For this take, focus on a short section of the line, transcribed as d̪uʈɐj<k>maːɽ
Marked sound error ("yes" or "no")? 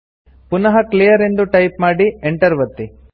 yes